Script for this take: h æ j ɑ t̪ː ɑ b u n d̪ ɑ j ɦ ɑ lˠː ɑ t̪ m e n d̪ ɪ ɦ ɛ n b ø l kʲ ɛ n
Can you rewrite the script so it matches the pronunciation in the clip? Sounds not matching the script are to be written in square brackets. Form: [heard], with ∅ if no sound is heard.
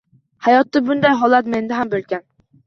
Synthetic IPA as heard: h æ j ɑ t̪ː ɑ b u n d̪ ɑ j ɦ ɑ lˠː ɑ t̪ m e n d̪ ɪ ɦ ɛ [m] b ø l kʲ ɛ n